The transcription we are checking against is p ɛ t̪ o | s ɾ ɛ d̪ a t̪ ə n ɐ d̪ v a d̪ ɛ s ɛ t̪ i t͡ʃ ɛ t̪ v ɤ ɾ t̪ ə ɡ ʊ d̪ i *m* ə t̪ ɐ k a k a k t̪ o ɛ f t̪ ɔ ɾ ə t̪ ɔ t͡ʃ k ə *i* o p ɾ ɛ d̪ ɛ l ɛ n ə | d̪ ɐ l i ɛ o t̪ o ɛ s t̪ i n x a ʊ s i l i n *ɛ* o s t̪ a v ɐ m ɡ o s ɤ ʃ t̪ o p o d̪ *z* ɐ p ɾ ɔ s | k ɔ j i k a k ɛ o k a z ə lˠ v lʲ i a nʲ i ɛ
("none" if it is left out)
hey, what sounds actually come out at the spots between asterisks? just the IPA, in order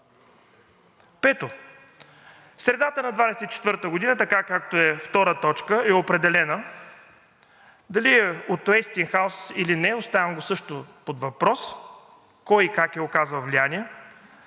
n, ɛ, ɛ, v

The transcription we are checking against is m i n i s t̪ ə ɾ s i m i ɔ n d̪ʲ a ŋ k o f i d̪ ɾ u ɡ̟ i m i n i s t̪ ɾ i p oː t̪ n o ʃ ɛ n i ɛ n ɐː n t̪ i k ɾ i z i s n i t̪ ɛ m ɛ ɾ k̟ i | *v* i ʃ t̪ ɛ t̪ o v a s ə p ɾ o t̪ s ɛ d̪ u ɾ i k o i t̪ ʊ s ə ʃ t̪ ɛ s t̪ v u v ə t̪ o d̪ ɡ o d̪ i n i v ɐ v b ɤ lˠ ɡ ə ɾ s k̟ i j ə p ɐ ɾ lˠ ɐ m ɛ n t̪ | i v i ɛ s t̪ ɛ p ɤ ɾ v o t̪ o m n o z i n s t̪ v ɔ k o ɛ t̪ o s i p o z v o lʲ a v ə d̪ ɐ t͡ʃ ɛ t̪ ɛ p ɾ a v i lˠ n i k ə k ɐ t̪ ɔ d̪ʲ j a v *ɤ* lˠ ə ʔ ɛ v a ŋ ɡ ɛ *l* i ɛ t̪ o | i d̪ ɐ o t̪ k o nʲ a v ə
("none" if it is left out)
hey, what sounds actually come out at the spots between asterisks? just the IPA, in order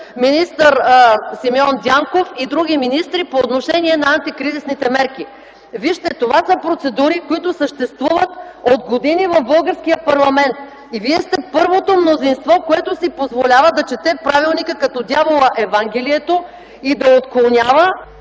v, o, l

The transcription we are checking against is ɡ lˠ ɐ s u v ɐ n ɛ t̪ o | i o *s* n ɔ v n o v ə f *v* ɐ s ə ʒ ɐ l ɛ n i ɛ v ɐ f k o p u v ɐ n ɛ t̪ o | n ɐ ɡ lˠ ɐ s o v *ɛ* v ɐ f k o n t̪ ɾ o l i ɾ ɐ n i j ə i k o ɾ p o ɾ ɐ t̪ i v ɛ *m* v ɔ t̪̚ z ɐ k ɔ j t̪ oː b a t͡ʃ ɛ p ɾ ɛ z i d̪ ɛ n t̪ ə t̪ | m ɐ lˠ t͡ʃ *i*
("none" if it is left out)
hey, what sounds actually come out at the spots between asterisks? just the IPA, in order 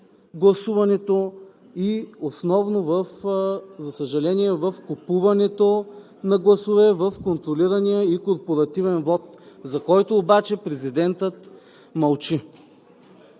s, z, ɛ, n, i

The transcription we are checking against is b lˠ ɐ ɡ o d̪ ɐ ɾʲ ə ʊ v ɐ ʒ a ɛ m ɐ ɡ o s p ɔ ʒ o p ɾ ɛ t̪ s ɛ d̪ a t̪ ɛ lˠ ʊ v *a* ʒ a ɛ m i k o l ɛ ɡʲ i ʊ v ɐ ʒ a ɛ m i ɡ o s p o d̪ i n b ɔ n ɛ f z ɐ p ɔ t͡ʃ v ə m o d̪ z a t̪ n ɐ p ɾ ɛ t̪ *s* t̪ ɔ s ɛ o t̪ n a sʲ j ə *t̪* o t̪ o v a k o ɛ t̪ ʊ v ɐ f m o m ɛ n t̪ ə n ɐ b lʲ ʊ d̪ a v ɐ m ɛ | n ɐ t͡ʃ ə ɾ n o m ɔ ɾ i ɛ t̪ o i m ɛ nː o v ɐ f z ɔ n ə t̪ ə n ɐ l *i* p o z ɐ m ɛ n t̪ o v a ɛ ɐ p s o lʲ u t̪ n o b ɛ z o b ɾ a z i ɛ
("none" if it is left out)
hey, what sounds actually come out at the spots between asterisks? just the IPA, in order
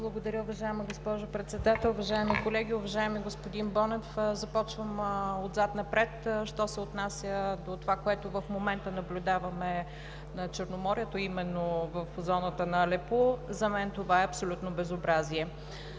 ɐ, ʃ, d̪, ɛ

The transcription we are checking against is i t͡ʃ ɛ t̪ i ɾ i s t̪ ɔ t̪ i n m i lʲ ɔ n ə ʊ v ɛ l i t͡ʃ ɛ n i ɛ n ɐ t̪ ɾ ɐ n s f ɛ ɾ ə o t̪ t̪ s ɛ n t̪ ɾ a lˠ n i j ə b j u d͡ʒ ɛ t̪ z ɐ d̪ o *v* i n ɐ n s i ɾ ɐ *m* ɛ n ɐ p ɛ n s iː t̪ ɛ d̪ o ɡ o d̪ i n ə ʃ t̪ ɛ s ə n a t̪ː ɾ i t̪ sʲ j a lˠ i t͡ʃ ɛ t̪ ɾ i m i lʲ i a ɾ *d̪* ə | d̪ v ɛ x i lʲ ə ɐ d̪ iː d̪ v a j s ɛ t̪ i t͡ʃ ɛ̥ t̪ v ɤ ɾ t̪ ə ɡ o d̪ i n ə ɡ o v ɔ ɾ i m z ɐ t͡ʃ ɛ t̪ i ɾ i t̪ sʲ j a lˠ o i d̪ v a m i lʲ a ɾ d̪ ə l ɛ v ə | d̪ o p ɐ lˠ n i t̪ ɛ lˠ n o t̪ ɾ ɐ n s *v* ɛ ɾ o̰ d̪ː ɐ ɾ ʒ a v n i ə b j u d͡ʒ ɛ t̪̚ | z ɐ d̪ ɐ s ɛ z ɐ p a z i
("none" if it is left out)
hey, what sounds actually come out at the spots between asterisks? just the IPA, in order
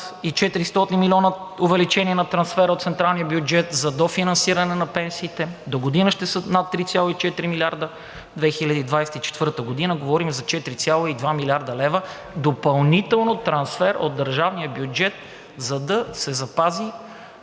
f, n, d̪, f

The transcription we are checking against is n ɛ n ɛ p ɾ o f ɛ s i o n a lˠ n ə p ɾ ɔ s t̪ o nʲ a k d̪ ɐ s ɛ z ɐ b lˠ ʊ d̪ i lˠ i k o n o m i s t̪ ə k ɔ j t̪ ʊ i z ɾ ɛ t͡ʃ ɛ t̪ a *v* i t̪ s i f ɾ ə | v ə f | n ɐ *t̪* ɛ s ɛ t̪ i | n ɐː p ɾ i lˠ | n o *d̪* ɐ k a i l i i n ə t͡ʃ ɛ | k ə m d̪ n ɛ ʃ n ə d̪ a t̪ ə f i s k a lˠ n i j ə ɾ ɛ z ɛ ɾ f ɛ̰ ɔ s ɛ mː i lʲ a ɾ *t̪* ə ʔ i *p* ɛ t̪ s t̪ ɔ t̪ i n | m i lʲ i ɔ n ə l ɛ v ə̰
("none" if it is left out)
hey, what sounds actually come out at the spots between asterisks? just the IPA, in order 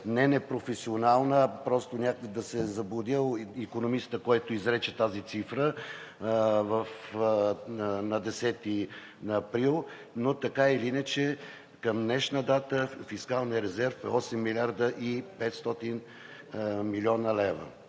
z, d̪, t̪, d̪, p

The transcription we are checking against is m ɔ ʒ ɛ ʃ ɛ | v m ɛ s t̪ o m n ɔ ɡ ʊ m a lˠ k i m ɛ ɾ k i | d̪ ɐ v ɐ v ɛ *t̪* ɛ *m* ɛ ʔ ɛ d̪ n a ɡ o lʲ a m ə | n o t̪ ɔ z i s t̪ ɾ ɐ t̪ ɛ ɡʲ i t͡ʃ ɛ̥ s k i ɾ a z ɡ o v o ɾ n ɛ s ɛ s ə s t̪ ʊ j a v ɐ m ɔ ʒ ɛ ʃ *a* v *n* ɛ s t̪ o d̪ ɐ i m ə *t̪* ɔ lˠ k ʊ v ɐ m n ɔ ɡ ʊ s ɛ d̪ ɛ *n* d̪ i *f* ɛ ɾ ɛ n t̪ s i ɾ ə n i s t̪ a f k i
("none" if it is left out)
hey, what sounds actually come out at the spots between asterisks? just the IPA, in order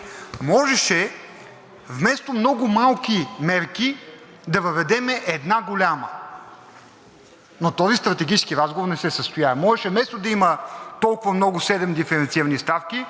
d̪, m, ɛ, m, t̪, m, f

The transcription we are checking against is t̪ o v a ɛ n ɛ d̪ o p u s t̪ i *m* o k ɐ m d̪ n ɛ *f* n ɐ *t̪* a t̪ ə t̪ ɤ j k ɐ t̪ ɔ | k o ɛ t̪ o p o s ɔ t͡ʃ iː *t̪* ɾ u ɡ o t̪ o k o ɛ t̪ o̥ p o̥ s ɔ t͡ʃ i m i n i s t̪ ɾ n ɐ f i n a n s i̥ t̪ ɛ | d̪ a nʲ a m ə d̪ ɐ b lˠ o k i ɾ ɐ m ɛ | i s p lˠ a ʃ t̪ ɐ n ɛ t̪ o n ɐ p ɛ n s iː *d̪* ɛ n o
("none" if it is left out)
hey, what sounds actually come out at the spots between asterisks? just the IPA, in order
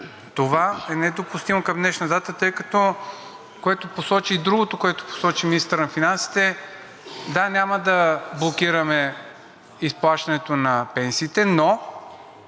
m, ʃ, d̪, d̪, t̪

